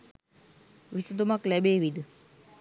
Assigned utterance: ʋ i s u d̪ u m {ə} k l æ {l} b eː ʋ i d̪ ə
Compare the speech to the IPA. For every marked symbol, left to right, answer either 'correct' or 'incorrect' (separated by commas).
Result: incorrect, incorrect